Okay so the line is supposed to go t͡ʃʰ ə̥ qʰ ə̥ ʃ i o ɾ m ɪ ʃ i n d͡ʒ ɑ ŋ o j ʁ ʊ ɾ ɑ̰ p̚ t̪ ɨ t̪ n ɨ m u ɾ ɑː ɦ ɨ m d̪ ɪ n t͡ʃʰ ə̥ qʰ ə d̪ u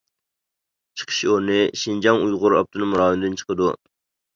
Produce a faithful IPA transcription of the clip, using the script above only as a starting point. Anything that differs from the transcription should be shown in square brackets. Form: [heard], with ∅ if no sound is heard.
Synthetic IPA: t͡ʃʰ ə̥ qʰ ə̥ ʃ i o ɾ [n] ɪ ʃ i n d͡ʒ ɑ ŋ [u] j ʁ ʊ ɾ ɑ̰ p̚ t̪ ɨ [∅] n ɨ m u ɾ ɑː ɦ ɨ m d̪ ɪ n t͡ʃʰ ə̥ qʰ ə d̪ u